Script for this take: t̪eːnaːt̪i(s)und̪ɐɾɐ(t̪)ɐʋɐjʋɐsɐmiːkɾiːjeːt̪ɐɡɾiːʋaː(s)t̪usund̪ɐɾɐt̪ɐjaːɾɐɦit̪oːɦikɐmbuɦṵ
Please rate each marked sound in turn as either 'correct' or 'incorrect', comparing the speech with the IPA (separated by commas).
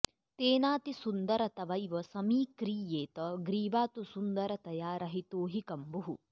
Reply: correct, correct, incorrect